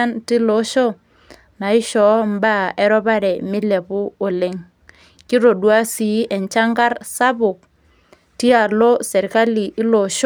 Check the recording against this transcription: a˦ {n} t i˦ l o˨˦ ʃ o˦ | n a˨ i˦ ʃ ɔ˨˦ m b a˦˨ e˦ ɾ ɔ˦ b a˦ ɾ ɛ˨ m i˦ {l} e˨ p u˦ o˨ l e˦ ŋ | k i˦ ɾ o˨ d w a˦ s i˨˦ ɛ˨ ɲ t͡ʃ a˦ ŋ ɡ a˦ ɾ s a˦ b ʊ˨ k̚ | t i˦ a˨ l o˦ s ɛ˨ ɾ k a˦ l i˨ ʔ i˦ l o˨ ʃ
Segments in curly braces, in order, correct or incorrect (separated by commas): correct, correct